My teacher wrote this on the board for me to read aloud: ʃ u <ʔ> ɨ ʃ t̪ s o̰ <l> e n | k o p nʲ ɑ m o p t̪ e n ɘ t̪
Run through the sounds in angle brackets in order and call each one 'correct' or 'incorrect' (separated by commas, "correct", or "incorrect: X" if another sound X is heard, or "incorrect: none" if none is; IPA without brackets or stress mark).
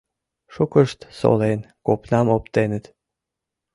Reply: incorrect: k, correct